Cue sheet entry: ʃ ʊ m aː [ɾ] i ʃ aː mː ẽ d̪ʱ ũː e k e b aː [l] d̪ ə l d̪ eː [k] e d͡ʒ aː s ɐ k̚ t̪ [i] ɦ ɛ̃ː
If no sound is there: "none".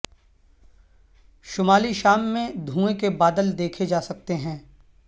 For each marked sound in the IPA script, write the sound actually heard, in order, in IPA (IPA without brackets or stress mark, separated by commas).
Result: l, none, kʰ, e